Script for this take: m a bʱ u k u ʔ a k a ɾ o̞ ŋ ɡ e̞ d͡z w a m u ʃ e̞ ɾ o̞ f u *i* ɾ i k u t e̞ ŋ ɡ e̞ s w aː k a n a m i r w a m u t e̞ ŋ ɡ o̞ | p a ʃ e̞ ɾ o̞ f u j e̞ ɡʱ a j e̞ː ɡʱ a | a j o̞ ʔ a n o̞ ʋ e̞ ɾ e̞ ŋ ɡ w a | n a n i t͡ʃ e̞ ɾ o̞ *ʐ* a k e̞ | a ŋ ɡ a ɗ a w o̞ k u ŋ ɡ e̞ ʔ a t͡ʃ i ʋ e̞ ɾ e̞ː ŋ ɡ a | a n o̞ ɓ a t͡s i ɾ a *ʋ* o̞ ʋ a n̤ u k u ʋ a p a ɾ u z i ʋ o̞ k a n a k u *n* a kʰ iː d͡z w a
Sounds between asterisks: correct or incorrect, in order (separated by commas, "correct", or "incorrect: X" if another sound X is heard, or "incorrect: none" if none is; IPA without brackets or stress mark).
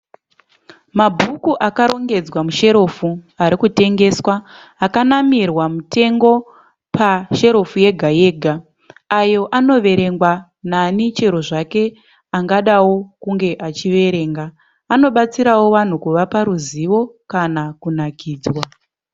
incorrect: a, correct, incorrect: w, correct